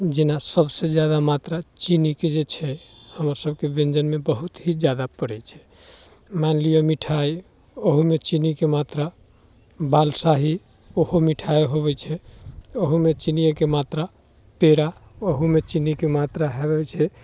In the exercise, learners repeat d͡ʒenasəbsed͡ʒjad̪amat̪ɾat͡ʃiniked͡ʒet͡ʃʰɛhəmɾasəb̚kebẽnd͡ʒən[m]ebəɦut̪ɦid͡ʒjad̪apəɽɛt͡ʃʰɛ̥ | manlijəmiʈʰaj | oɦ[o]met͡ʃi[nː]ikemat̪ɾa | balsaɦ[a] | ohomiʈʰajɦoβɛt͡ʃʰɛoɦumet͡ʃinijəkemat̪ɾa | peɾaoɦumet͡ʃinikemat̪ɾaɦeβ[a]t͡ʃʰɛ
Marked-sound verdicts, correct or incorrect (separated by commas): correct, incorrect, incorrect, incorrect, incorrect